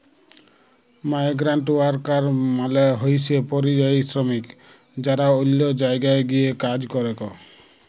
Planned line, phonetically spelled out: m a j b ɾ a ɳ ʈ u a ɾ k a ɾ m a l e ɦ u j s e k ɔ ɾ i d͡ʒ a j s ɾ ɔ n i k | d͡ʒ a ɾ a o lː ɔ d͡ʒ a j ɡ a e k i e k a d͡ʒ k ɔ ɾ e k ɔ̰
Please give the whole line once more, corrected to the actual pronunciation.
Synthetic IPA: m a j ɡ ɾ a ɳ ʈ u a ɾ k a ɾ m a l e ɦ o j s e p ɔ ɾ i d͡ʒ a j s ɾ ɔ m i k | d͡ʒ a ɾ a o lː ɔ d͡ʒ a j ɡ a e ɡ i e k a d͡ʒ k ɔ ɾ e k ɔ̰